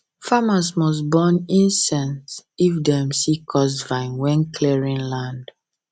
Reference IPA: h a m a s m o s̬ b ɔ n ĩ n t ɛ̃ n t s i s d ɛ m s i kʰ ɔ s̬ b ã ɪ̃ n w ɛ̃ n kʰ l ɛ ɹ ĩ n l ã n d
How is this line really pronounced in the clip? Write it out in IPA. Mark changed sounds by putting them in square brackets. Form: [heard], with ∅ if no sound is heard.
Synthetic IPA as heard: [f] a m a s m [ɔ] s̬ b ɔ n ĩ n [s] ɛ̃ n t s i [f] d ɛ m s i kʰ ɔ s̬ [v] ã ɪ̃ n w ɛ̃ n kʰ l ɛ ɹ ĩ n l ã n d